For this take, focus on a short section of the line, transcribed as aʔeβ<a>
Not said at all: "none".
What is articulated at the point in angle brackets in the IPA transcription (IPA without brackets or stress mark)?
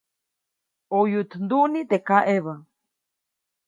a